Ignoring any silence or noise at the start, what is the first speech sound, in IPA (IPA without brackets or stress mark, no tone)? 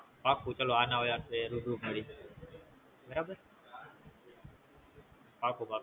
p